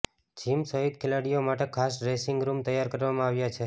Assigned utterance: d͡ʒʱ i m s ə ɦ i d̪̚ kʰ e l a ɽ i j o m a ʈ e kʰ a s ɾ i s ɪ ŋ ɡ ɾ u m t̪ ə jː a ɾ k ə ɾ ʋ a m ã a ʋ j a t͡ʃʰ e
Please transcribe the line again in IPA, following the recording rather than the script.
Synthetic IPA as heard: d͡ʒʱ i m s ə ɦ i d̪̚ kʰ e l a ɽ i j o m a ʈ e kʰ a s ɾ e s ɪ ŋ ɡ ɾ u m t̪ ə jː a ɾ k ə ɾ ʋ a m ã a ʋ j a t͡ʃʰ e